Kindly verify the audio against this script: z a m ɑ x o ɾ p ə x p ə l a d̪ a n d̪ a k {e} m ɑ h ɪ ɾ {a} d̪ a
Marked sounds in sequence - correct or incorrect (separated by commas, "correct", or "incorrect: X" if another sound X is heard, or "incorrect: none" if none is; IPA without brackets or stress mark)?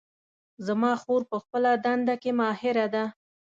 correct, correct